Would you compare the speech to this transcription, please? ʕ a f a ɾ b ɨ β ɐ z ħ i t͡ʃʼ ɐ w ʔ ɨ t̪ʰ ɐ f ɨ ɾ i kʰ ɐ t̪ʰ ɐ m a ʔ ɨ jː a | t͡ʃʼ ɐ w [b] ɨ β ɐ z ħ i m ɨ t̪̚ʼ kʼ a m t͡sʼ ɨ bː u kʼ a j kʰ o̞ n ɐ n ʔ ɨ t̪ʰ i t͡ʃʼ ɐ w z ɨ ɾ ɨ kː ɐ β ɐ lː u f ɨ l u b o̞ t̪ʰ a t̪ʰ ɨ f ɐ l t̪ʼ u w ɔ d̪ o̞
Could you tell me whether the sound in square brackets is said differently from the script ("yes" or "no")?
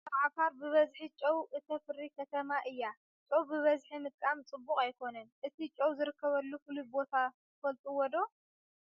no